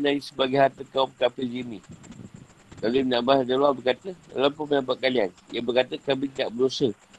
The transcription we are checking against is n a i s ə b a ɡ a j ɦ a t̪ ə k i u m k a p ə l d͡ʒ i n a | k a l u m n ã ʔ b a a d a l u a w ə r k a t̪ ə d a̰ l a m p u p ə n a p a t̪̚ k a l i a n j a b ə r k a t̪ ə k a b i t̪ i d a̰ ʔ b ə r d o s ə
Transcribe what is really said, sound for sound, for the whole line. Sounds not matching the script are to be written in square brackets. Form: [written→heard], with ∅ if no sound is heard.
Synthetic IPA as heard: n a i s ə b a ɡ a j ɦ a t̪ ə k [i→a] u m k a p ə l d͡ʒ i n [a→i] | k a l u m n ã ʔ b a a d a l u a [w→b] ə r k a t̪ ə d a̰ l a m p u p ə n a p a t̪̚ k a l i a n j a b ə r k a t̪ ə k a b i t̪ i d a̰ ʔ b ə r d o s ə